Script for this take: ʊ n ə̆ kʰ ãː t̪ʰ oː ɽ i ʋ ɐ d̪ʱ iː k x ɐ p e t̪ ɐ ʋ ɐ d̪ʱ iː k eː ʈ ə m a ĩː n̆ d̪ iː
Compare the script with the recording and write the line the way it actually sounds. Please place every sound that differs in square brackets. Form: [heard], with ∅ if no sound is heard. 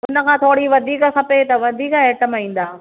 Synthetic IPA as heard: ʊ n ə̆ kʰ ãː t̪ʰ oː ɽ i ʋ ɐ d̪ʱ iː k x ɐ p e t̪ ɐ ʋ ɐ d̪ʱ iː k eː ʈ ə m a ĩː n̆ d̪ [aː]